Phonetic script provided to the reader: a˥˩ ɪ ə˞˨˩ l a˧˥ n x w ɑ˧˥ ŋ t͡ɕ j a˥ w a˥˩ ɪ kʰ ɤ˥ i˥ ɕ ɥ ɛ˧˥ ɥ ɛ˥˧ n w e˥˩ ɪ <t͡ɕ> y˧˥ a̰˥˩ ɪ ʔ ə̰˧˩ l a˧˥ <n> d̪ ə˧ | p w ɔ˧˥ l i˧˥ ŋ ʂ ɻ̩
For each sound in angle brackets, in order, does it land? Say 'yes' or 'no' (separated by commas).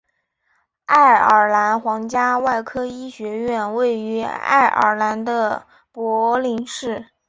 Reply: no, yes